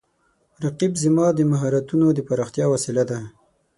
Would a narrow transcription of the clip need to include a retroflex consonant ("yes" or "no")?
no